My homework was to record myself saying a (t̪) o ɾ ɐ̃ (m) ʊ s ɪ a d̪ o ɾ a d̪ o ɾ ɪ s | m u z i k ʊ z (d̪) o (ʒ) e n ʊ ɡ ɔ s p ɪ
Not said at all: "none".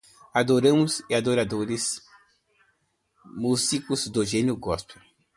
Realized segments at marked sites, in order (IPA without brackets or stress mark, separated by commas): d̪, m, d̪, ʒ